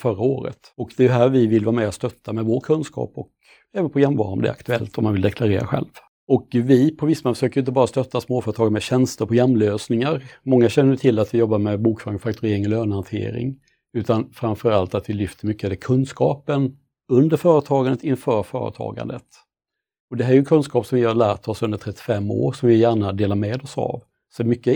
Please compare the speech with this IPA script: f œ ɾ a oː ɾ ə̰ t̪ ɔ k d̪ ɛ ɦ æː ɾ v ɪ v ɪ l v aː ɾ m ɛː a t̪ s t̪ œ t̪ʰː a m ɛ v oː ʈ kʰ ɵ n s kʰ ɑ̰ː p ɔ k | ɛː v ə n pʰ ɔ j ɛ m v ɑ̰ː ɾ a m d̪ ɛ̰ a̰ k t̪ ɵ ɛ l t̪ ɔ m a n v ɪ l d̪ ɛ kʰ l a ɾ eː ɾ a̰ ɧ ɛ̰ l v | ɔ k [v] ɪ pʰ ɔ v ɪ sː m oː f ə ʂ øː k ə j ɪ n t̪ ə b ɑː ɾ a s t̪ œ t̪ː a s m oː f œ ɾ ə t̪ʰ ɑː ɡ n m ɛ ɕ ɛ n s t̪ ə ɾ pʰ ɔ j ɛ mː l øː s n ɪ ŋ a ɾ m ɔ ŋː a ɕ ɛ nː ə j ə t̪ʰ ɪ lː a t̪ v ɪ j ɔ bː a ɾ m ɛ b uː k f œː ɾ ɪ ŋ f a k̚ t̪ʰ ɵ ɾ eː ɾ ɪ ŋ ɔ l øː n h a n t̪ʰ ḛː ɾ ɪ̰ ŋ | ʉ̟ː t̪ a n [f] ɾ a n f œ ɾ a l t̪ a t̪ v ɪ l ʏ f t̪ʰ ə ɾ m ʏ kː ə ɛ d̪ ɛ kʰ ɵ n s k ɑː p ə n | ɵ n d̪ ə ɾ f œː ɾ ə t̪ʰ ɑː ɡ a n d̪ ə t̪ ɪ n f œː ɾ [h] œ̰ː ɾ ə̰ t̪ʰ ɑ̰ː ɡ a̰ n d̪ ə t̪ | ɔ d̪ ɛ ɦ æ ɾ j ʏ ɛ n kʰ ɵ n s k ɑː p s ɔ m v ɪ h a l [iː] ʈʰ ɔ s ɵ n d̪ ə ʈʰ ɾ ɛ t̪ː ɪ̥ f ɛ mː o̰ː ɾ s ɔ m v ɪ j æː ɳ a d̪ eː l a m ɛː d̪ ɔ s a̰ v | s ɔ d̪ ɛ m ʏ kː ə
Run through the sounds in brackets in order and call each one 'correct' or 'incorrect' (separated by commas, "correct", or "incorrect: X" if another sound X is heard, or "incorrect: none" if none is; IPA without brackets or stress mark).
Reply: correct, correct, incorrect: f, incorrect: æː